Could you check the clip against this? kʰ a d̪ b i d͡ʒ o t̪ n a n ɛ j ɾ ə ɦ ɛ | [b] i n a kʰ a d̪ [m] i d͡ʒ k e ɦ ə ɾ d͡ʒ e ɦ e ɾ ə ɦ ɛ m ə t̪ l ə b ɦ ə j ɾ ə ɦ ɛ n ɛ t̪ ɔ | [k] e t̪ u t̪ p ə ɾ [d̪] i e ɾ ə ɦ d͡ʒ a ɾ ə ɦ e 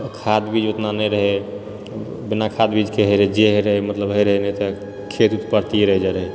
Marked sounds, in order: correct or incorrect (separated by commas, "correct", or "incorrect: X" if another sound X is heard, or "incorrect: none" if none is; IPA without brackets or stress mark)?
correct, incorrect: b, incorrect: kʰ, incorrect: t̪